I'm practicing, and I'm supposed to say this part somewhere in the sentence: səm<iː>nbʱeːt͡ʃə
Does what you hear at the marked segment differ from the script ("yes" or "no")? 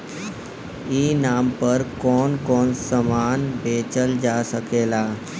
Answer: yes